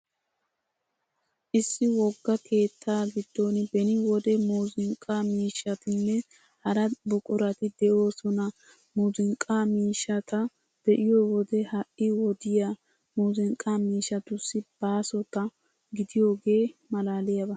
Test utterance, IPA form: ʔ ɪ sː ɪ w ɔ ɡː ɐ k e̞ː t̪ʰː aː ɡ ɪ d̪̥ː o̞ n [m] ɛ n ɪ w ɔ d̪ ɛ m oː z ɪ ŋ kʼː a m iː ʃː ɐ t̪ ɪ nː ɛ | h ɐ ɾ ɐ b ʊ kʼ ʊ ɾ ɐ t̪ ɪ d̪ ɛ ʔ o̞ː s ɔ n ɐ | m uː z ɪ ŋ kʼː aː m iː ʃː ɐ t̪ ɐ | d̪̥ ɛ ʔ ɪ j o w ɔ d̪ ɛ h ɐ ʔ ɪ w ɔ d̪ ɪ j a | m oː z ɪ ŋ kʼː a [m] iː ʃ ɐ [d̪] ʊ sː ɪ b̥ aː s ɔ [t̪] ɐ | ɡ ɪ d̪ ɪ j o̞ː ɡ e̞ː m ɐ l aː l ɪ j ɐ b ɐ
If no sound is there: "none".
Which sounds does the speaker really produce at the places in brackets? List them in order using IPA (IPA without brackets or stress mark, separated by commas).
b, m, t̪, t̪